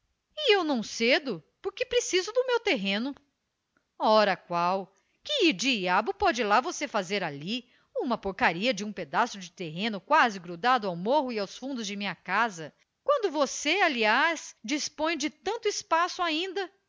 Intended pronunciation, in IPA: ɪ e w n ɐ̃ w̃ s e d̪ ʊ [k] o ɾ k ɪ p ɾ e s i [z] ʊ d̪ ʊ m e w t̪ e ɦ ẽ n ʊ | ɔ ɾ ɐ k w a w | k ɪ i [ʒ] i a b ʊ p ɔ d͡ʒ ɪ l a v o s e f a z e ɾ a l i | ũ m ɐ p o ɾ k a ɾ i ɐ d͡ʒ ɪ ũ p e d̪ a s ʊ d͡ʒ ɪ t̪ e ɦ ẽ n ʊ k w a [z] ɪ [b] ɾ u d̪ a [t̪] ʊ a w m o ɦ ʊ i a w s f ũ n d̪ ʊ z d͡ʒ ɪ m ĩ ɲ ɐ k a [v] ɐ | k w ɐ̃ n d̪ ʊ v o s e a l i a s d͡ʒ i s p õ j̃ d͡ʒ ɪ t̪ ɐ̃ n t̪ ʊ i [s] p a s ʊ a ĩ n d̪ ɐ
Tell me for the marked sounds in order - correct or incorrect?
incorrect, correct, incorrect, correct, incorrect, incorrect, incorrect, correct

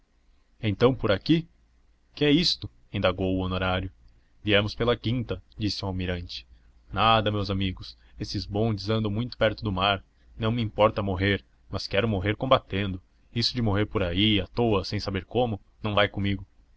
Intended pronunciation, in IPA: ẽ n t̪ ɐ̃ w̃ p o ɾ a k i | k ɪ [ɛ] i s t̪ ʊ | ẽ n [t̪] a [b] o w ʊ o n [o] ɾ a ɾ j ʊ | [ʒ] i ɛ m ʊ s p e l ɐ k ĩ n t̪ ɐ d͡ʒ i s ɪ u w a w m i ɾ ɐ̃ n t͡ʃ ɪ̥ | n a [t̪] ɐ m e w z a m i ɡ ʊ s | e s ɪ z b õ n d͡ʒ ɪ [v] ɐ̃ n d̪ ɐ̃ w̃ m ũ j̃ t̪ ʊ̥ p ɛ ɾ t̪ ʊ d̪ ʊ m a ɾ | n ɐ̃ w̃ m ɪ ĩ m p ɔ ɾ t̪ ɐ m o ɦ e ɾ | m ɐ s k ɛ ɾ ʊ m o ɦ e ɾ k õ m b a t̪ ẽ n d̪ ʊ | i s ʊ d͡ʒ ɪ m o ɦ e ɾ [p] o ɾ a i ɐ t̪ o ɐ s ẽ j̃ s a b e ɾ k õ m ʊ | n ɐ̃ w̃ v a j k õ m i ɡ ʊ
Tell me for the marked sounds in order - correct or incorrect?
correct, incorrect, incorrect, correct, incorrect, incorrect, incorrect, correct

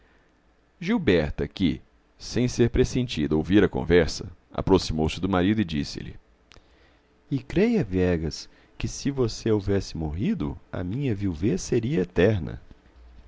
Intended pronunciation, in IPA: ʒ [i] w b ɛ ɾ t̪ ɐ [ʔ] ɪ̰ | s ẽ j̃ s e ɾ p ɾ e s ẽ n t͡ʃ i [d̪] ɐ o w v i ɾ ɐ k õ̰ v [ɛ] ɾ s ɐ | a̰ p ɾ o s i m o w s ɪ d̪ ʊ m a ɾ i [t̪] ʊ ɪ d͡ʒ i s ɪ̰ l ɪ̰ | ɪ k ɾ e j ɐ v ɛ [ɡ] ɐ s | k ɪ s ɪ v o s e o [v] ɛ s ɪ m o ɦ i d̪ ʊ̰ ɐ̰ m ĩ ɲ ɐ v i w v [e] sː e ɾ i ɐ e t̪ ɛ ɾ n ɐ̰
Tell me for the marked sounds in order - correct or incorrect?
correct, incorrect, correct, correct, incorrect, correct, correct, correct

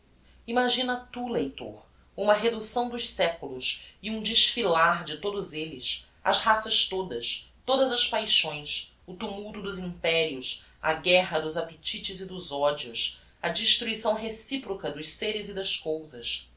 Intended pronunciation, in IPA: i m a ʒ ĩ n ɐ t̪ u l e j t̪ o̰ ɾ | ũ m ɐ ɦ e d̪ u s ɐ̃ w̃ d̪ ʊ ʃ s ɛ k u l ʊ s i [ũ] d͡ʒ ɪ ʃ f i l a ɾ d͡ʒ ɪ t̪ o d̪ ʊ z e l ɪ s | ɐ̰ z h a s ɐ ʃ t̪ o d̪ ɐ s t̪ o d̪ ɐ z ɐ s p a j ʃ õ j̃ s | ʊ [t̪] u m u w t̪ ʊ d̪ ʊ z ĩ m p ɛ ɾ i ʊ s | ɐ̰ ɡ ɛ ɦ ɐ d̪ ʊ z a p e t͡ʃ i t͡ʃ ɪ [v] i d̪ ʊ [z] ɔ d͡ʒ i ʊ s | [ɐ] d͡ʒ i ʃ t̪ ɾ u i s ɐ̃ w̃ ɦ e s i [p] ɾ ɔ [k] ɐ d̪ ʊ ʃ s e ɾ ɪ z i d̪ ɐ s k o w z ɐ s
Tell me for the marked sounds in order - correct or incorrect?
correct, correct, incorrect, correct, correct, correct, correct

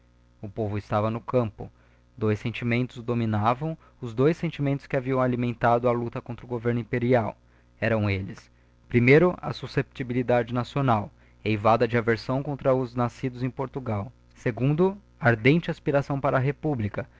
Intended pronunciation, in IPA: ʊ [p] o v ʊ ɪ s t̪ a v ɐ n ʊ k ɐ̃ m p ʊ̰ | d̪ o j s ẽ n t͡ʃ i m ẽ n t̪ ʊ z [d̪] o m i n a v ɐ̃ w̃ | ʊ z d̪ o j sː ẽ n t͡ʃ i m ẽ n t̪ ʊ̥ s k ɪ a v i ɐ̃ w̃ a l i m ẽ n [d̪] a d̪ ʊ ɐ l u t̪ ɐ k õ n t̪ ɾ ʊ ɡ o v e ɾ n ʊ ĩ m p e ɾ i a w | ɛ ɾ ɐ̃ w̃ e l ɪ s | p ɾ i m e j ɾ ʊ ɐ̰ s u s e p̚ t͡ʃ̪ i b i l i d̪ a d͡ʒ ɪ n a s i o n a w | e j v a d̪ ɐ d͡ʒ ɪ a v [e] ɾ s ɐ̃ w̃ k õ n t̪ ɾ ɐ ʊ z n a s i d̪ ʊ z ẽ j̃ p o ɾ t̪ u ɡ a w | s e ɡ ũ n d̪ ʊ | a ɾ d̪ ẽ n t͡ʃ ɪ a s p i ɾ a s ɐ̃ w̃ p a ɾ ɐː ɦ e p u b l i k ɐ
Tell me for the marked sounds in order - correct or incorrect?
correct, correct, incorrect, correct

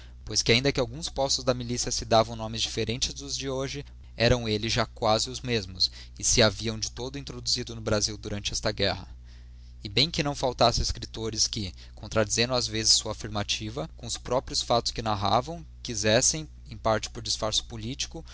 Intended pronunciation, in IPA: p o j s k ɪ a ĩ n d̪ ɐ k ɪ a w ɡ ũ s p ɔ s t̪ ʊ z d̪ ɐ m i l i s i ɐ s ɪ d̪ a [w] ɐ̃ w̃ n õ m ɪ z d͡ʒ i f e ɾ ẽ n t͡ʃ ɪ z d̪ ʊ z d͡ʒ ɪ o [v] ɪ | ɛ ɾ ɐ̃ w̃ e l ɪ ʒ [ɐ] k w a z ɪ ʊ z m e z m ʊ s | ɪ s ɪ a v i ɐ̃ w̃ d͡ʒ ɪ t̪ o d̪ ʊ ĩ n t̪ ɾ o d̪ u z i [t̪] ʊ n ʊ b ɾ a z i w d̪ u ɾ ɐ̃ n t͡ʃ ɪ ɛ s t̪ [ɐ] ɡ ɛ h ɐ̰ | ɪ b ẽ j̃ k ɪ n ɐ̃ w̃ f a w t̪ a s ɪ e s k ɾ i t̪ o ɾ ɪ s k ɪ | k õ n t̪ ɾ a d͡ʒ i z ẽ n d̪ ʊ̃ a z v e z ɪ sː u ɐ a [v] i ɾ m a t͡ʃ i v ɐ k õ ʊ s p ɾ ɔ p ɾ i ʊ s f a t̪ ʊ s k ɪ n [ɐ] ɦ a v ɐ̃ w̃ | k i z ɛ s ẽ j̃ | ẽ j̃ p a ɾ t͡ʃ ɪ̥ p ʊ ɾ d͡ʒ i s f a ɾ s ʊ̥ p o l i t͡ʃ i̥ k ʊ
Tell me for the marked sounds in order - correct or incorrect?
incorrect, incorrect, incorrect, incorrect, correct, incorrect, incorrect

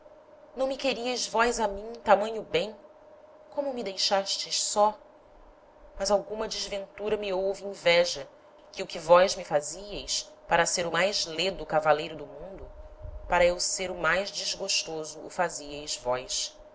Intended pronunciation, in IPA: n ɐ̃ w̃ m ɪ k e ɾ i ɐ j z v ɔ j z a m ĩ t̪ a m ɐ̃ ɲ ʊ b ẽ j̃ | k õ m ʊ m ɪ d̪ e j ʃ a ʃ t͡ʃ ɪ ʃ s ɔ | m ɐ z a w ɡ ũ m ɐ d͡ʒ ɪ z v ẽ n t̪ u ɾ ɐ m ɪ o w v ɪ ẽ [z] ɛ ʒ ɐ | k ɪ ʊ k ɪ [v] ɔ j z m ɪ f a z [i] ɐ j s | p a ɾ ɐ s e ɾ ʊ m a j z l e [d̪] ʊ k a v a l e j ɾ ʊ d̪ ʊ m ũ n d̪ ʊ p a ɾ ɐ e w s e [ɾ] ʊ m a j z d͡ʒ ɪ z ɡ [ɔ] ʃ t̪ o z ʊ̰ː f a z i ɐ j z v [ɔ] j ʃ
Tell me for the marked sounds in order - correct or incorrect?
incorrect, correct, correct, correct, correct, incorrect, correct

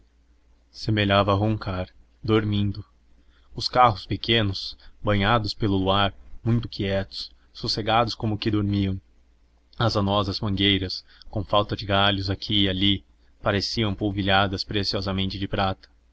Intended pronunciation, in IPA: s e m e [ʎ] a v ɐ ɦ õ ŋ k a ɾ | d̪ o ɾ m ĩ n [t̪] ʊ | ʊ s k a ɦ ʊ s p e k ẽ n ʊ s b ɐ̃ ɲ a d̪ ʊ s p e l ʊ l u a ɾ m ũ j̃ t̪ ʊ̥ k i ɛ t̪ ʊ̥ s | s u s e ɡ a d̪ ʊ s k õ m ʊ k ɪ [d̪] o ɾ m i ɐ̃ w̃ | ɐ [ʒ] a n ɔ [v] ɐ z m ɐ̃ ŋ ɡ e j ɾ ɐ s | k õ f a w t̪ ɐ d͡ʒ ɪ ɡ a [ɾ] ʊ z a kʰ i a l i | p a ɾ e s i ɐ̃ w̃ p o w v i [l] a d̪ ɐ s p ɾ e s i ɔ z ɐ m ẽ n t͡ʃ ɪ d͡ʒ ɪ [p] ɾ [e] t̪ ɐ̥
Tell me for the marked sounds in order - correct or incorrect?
correct, incorrect, correct, incorrect, incorrect, incorrect, incorrect, correct, incorrect

